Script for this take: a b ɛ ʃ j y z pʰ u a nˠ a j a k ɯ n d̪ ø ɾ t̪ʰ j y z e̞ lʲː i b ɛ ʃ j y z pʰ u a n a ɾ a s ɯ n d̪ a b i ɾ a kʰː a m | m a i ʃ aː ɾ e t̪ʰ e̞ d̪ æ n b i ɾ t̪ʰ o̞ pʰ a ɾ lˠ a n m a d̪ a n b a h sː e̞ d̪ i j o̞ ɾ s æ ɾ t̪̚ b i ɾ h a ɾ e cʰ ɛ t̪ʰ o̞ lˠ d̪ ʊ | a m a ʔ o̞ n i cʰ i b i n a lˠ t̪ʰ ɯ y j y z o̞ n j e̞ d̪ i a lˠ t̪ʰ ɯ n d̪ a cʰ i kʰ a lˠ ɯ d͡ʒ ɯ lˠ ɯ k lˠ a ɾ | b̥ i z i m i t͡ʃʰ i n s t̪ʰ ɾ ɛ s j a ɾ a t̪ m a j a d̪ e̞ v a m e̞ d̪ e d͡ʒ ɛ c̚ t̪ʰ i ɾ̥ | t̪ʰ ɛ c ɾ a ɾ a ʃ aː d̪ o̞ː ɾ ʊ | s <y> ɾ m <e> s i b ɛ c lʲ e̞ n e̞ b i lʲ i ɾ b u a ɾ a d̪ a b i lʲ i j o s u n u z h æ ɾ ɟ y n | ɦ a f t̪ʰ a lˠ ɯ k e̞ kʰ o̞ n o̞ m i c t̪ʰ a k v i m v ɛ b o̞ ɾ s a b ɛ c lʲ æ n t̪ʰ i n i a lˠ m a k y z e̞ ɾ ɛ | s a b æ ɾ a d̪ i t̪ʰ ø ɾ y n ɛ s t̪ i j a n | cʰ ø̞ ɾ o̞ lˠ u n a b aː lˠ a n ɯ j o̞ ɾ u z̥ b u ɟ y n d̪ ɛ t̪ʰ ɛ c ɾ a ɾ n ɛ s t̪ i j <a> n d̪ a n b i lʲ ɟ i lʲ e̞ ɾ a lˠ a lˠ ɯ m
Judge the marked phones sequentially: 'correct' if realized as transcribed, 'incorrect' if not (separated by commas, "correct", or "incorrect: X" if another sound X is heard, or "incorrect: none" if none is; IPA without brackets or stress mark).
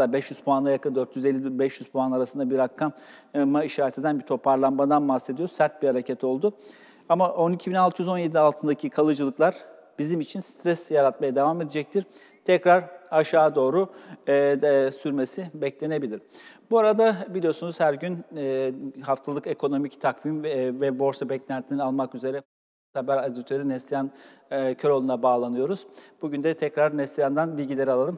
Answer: correct, correct, correct